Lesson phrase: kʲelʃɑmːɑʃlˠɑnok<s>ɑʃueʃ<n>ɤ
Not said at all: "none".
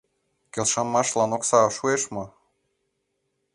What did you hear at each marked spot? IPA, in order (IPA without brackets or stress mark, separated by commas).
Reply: s, m